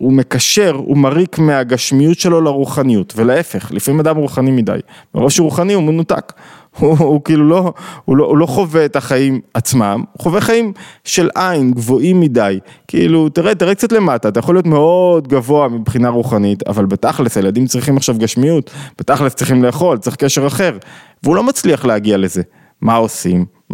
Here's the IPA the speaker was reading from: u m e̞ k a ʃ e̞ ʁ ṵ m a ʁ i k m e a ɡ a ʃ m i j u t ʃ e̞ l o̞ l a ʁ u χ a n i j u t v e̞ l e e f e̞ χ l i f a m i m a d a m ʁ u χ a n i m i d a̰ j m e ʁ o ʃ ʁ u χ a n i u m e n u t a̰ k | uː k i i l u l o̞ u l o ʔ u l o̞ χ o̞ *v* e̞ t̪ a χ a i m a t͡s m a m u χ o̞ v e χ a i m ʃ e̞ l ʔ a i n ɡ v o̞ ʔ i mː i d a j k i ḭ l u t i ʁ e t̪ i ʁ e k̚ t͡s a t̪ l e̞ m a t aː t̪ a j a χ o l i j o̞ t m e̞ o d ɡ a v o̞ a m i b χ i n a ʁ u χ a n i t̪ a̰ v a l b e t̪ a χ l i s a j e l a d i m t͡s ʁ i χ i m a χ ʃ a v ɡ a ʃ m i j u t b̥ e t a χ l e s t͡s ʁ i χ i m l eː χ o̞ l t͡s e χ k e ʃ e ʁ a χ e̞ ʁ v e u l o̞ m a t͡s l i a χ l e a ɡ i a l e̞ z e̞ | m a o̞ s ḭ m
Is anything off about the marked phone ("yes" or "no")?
no